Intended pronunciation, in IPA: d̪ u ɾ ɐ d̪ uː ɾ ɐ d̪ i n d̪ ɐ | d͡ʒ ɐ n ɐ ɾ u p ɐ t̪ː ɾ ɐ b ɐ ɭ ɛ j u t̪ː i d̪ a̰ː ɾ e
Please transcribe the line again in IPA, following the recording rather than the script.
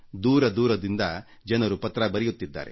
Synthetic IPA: d̪ uː ɾ ɐ d̪ uː ɾ ɐ d̪ i n d̪ ɐ | d͡ʒ ɐ n ɐ ɾ u p ɐ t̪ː ɾ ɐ b ɐ ɾ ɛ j u t̪ː i d̪ː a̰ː ɾ e